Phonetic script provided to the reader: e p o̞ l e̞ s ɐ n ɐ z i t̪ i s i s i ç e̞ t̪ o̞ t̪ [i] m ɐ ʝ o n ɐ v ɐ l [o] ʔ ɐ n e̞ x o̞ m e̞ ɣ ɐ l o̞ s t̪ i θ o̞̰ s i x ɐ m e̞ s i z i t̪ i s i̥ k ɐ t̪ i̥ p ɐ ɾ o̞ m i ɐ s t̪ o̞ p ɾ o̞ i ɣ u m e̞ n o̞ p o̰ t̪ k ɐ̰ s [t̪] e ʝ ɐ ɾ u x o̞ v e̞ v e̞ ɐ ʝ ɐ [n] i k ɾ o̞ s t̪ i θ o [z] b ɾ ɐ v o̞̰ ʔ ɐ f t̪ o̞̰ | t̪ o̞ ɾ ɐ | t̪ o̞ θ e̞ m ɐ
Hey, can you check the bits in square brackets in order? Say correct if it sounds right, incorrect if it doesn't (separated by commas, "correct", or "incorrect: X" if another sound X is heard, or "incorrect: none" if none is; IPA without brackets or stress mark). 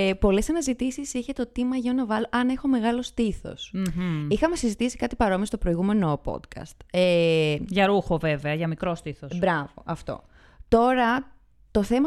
correct, correct, correct, incorrect: m, incorrect: s